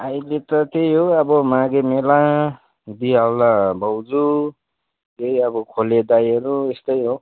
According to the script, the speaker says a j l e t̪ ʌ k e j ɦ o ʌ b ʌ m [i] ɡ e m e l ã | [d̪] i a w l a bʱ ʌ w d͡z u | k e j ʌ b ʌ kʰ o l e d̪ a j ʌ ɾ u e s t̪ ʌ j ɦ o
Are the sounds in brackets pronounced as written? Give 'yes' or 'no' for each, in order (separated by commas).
no, yes